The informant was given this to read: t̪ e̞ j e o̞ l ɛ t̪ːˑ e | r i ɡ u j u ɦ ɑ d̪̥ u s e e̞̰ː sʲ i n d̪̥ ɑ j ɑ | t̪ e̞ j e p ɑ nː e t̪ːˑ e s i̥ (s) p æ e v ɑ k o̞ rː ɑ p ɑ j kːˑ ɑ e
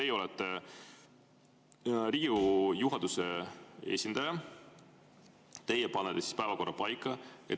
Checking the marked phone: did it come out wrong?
no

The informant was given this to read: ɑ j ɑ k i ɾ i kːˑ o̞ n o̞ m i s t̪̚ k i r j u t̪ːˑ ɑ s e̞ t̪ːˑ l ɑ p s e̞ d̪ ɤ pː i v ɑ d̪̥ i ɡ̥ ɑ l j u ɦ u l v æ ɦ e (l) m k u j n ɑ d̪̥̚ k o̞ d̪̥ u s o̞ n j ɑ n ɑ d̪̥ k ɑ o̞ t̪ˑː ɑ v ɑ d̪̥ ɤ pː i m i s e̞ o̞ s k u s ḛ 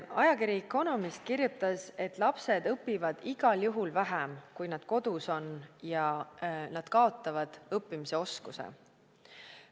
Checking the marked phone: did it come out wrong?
yes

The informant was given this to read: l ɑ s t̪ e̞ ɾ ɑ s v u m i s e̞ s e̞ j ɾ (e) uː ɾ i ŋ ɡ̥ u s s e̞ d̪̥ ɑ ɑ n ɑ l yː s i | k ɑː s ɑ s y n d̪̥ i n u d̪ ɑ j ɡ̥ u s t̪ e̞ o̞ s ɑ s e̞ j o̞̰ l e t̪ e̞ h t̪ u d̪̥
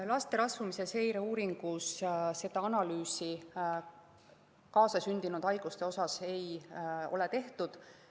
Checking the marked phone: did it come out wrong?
no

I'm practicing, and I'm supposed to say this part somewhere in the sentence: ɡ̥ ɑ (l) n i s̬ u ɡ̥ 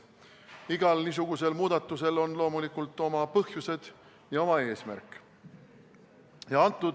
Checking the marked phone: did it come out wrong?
no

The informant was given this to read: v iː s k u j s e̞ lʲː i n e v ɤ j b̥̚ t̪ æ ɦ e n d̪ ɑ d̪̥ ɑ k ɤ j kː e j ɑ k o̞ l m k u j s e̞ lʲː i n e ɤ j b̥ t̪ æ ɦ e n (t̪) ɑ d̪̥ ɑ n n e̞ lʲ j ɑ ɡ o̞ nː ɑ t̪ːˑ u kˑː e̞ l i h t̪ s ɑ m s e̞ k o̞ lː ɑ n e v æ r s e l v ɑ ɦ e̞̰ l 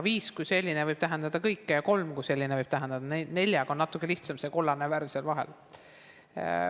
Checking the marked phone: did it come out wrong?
yes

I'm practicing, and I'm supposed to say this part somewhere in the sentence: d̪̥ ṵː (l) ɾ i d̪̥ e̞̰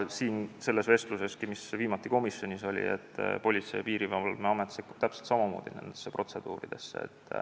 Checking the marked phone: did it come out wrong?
yes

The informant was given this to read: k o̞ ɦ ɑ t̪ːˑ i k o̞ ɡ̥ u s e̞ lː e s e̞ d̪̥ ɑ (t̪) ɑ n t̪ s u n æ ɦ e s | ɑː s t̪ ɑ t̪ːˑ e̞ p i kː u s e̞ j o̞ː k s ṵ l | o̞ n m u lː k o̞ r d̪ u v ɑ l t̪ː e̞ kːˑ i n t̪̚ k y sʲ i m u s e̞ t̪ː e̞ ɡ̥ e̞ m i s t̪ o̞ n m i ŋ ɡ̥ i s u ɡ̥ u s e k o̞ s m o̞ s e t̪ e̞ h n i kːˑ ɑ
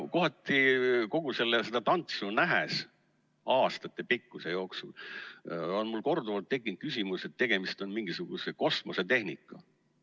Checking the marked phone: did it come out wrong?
no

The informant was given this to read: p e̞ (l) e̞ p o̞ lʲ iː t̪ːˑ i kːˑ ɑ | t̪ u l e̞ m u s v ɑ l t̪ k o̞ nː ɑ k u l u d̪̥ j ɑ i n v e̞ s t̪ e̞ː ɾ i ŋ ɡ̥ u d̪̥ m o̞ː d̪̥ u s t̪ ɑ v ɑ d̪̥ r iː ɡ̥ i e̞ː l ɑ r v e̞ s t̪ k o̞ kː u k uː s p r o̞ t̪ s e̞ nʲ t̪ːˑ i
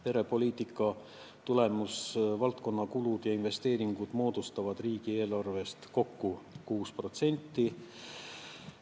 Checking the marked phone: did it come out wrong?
yes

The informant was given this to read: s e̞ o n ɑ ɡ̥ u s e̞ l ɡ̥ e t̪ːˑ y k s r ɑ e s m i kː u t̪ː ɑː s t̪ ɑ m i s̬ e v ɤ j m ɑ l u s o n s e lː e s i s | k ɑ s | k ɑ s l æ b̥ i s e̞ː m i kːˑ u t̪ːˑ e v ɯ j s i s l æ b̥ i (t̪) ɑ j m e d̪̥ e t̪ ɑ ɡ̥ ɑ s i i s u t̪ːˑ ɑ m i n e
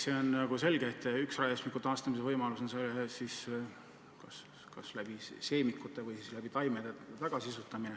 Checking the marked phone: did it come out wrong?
no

